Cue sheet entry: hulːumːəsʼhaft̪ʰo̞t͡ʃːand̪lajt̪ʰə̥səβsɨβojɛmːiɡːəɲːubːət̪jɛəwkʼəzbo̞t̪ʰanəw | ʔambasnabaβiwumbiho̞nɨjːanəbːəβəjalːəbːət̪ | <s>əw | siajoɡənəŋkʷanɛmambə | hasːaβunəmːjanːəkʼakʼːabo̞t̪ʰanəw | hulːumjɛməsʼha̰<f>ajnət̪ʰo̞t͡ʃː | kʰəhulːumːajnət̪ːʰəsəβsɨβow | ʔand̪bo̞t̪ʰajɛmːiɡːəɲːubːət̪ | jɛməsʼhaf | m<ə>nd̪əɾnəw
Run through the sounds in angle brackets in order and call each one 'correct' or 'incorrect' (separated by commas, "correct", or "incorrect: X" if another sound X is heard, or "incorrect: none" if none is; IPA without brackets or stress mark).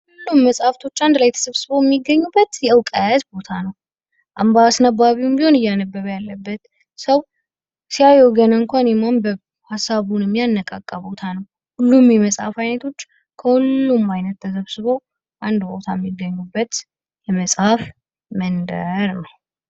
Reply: correct, correct, correct